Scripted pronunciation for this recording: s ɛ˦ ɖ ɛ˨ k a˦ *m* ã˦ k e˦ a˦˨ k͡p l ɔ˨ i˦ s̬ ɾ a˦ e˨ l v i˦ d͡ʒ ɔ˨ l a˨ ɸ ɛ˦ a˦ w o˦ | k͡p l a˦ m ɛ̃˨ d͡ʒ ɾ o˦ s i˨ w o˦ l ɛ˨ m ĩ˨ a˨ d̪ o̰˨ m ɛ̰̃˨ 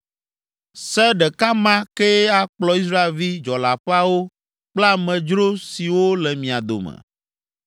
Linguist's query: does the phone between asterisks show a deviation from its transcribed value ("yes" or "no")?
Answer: no